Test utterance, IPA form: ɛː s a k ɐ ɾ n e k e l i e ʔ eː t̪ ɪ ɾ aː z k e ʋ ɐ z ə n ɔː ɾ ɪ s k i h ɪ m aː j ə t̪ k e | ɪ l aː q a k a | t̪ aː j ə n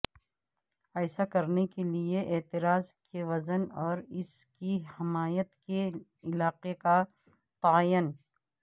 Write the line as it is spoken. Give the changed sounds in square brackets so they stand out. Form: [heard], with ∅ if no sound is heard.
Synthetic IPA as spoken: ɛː s a k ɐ ɾ n e k e l i e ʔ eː t̪ ɪ ɾ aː z k e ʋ ɐ z ə n ɔː ɾ ɪ s k i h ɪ m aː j ə t̪ k e | ɪ l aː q [e] k a | t̪ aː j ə n